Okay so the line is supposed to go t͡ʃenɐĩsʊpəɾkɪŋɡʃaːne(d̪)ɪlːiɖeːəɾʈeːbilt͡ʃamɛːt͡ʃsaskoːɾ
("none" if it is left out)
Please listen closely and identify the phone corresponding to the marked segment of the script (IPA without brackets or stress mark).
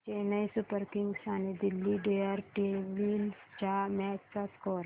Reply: d̪